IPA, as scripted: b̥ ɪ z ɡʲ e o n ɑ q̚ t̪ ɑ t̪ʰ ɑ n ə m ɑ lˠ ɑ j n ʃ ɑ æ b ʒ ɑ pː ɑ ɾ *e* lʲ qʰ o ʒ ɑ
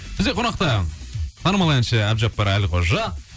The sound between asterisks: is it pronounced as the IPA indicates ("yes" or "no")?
no